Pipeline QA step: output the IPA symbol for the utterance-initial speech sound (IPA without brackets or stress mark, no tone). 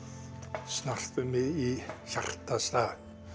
s